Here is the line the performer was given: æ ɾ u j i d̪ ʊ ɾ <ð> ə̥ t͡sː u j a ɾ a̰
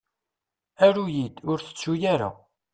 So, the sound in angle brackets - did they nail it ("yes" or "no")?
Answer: no